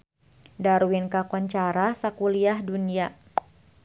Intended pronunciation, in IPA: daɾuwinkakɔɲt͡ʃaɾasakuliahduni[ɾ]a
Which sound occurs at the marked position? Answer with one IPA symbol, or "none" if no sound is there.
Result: none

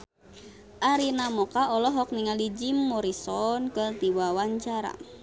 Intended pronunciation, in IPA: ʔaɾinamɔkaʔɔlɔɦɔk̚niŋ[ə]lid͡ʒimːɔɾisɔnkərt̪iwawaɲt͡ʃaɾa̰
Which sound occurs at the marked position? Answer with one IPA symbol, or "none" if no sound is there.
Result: a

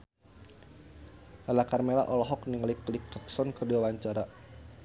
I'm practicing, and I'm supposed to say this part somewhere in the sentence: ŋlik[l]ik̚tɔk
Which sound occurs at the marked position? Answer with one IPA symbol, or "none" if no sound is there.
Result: l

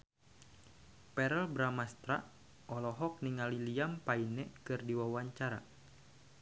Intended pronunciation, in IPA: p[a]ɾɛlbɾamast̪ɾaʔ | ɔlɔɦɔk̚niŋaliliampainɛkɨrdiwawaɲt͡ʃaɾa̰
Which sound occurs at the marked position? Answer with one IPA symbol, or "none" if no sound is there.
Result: ɛ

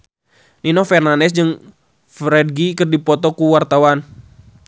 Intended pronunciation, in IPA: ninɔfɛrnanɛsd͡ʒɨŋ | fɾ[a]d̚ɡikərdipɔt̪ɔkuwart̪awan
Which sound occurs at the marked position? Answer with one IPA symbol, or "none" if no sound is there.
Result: ɛ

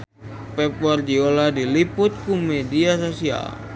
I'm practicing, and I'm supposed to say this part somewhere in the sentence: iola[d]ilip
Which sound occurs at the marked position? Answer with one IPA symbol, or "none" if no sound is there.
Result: d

